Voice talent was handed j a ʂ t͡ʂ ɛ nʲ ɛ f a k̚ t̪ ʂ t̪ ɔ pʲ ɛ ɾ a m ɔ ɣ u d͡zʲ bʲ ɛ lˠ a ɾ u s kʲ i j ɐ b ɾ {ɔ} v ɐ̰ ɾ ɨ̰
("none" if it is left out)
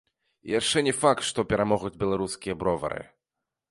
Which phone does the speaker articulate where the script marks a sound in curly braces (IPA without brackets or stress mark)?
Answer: ɔ